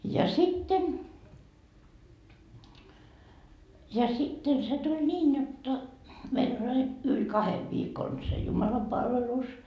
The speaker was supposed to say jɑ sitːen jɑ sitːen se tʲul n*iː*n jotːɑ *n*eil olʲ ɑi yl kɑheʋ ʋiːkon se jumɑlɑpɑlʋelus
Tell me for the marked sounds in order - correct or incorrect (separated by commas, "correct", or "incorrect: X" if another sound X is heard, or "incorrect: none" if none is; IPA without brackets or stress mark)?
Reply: correct, incorrect: m